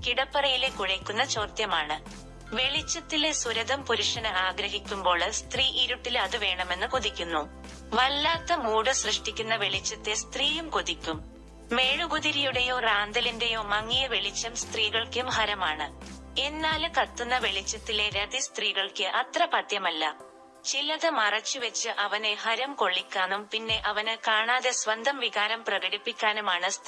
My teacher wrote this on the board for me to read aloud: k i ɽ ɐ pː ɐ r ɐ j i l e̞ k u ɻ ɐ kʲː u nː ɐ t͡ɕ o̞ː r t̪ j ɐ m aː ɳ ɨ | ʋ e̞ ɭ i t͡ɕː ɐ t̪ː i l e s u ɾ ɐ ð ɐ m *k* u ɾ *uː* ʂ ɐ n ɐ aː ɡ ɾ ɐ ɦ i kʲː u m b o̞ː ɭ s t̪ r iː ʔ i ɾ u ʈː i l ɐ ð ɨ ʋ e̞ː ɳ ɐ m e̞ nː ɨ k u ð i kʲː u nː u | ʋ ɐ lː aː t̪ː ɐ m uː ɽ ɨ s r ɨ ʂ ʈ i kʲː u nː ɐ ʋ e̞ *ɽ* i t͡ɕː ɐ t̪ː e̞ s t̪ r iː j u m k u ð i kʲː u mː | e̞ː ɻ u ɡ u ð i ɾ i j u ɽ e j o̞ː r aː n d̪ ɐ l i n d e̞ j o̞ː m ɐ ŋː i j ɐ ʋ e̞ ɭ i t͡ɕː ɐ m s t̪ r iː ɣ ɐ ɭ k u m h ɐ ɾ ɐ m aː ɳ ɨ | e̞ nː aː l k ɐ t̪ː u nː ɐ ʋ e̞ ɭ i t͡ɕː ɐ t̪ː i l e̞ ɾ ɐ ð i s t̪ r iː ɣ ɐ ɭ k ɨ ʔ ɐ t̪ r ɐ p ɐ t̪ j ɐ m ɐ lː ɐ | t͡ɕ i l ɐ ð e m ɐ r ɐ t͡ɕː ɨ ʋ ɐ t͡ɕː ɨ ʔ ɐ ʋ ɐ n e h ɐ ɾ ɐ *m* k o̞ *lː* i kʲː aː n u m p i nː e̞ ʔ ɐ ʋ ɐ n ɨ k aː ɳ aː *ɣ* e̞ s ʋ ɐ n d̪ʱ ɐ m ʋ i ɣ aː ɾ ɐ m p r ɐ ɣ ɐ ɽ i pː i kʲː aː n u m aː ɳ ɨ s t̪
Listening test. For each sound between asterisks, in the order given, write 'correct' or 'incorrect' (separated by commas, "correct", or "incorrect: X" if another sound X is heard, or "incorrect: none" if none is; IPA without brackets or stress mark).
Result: incorrect: p, incorrect: u, incorrect: ɭ, correct, incorrect: ɭː, incorrect: ð